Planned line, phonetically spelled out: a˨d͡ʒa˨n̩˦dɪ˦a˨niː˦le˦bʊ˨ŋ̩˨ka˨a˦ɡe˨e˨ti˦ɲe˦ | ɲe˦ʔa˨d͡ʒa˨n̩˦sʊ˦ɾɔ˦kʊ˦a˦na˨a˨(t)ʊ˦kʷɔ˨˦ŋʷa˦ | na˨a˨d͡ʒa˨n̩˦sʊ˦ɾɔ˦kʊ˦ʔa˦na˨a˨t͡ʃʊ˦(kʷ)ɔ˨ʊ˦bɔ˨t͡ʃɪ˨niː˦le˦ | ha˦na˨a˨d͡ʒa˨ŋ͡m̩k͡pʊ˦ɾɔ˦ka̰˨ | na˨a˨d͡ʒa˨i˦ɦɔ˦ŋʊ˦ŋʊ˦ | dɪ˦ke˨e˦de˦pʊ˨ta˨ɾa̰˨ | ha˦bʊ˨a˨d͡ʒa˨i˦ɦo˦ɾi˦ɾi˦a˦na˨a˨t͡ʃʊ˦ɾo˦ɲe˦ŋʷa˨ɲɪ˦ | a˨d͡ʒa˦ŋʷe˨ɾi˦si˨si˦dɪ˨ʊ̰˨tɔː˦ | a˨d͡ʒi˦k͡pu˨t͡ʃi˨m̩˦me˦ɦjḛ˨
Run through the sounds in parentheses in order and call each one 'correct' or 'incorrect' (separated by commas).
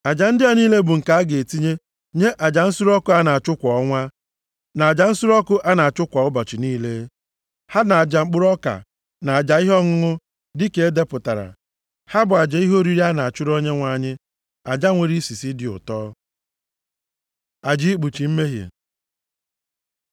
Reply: incorrect, correct